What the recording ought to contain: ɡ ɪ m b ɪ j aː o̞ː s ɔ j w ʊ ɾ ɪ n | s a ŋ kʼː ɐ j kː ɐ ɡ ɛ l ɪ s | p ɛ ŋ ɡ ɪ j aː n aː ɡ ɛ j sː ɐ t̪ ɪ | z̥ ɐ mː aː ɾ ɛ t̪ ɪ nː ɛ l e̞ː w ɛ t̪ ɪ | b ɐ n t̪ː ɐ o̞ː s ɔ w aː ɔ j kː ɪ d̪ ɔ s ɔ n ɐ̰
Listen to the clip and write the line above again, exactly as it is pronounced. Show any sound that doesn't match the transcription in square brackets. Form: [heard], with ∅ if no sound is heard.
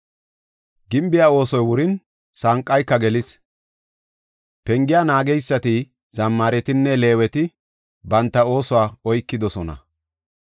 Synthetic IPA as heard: ɡ ɪ m b ɪ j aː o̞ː s ɔ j w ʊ ɾ ɪ n | s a ŋ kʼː ɐ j kː ɐ ɡ ɛ l ɪ s | p ɛ ŋ ɡ ɪ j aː n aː ɡ ɛ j sː ɐ t̪ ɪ | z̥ ɐ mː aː ɾ ɛ t̪ ɪ nː ɛ l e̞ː w ɛ t̪ ɪ | b ɐ n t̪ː ɐ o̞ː s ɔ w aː ɔ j kː ɪ d̪ ɔ s ɔ n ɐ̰